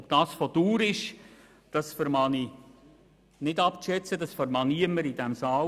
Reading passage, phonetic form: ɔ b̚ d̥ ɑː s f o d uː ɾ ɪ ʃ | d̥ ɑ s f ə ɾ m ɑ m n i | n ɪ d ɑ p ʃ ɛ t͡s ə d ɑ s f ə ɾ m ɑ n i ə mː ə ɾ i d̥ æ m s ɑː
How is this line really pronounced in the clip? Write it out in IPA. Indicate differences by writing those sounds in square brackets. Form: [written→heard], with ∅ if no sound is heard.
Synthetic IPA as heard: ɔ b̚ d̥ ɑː s f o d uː ɾ ɪ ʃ | d̥ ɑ s f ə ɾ m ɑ [m→∅] n i | n ɪ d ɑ p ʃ ɛ t͡s ə d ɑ s f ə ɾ m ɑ n i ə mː ə ɾ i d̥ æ m s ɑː